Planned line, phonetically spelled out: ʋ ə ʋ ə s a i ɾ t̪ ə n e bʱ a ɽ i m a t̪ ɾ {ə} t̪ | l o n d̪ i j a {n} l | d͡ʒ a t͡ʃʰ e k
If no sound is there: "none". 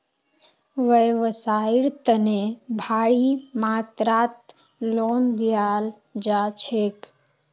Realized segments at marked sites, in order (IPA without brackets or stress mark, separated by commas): a, none